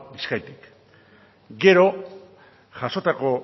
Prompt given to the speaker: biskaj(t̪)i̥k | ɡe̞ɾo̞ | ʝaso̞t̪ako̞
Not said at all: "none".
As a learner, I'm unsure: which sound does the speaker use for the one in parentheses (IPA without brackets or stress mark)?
t̪